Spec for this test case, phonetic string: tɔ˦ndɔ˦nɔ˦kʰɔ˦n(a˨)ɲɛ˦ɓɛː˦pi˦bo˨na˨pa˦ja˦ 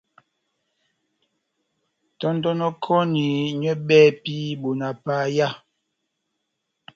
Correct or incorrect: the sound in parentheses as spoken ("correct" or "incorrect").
incorrect